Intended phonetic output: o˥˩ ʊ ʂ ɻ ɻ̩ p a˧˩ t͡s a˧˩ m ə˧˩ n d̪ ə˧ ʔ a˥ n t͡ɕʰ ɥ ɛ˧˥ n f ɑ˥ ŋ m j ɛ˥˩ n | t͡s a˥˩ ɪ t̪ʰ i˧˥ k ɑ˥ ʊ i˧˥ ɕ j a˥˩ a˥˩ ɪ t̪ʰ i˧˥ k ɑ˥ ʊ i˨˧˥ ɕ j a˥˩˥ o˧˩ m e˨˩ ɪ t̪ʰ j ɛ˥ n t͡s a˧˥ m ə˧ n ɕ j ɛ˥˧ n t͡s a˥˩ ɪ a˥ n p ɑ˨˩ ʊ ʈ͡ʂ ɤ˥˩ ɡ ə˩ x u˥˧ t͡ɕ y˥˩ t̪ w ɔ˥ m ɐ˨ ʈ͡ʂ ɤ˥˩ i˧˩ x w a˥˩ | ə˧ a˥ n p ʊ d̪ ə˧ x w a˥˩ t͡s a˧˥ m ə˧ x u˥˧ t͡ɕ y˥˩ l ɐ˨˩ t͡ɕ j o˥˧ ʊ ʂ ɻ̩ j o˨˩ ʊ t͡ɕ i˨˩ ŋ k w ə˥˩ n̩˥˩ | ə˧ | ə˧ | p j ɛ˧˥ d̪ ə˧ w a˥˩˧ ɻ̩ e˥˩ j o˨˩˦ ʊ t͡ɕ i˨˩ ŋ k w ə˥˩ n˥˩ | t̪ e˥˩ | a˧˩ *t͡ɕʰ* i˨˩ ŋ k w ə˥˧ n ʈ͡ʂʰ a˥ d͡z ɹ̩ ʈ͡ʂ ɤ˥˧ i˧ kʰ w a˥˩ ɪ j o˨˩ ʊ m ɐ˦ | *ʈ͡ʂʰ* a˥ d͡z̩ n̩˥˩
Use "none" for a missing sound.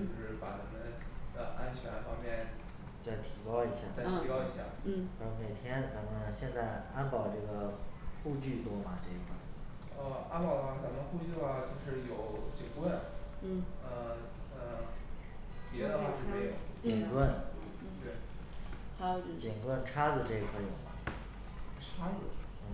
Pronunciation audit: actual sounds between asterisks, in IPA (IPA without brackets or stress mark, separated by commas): t͡ɕ, ʈ͡ʂʰ